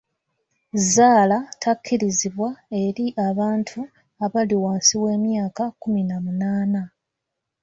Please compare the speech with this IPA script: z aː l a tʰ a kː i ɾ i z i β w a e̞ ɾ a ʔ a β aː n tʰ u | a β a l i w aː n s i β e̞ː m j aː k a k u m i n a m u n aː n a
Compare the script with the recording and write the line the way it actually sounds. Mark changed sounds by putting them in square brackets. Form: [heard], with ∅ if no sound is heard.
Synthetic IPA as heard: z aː l a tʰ a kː i ɾ i z i β w a e̞ ɾ [i] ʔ a β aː n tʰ u | a β a l i w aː n s i [w] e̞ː m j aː k a k u m i n a m u n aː n a